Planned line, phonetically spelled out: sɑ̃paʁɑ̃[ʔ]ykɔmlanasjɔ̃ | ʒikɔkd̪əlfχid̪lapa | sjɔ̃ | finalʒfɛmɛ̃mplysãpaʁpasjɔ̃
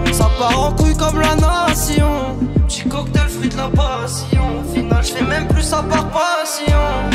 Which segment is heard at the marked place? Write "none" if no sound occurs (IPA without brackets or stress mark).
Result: k